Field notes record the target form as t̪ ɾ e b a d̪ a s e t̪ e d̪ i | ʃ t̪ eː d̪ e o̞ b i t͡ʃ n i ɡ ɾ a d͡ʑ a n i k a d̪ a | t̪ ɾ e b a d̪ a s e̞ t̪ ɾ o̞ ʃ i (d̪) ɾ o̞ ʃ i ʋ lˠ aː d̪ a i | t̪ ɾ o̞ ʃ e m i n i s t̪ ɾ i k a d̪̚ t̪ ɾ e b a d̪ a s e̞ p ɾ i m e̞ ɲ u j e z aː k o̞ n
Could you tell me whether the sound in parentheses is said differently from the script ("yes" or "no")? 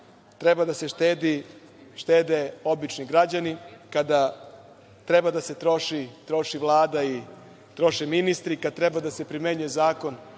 yes